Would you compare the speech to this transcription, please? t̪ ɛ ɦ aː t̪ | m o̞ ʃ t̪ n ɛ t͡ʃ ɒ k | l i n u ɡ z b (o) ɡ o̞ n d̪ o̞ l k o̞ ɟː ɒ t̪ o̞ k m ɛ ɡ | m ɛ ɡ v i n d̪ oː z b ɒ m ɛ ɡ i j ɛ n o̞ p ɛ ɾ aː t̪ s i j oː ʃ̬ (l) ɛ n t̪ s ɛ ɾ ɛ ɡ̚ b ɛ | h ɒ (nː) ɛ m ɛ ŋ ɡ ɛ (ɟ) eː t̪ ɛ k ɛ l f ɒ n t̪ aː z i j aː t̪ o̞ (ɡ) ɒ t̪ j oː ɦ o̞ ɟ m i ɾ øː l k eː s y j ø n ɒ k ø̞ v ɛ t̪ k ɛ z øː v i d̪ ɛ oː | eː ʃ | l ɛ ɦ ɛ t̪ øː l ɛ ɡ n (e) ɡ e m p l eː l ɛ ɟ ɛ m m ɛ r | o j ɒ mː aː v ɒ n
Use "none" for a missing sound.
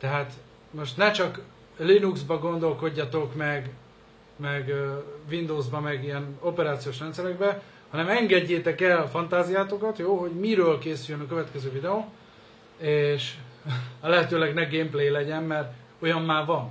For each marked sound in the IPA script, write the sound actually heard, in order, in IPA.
ɒ, r, n, ɟː, k, ɛ

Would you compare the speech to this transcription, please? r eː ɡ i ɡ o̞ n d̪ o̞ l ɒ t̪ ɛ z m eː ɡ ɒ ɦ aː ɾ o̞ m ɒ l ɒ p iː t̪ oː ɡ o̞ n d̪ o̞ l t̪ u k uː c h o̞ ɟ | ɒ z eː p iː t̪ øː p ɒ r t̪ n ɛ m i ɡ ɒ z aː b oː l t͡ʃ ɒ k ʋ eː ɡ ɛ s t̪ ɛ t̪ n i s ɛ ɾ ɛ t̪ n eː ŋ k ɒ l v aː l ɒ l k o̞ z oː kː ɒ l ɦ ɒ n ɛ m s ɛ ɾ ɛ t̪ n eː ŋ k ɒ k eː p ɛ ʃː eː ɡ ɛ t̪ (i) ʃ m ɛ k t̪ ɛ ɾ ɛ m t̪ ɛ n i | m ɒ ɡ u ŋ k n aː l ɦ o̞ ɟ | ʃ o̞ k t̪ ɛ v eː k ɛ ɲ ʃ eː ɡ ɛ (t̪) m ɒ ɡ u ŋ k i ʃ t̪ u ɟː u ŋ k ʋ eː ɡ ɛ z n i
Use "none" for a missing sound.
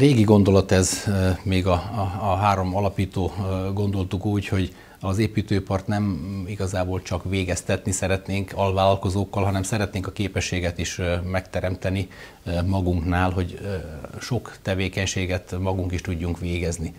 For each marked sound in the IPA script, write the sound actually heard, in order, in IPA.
i, t̪

